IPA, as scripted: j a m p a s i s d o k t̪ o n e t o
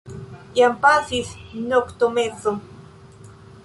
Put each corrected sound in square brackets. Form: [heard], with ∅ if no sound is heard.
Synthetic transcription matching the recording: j a m p a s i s [n] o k t̪ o [m] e [t͡s] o